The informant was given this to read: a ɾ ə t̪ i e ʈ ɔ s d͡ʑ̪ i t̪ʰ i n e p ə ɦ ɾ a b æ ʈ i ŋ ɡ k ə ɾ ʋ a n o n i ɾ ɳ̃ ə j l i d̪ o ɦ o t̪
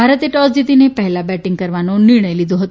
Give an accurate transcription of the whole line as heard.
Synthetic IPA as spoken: a ɾ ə t̪ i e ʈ ɔ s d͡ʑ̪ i t̪ i n e p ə ɦ l a b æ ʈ i ŋ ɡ k ə ɾ ʋ a n o n i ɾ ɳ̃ ə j l i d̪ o ɦ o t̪

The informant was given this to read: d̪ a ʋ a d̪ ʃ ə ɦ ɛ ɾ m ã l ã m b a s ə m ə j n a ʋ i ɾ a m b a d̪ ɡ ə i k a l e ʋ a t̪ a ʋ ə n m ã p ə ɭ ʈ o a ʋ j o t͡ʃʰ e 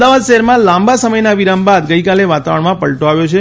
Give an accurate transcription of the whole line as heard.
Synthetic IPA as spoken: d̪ a ʋ a d̪ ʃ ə ɦ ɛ ɾ m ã l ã m b a s ə m ə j n a ʋ i ɾ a m b a d̪ ɡ ə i k a l e ʋ a t̪ a ʋ ə ɳ m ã p ə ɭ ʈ o a ʋ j o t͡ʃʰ e

